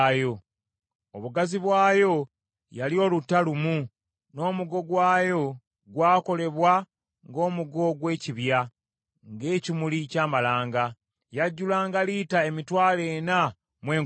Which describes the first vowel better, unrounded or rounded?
rounded